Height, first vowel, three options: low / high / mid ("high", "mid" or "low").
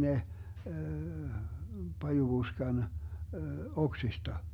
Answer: mid